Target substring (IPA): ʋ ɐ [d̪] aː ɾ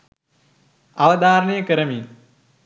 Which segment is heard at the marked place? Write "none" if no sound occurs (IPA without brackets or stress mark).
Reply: d̪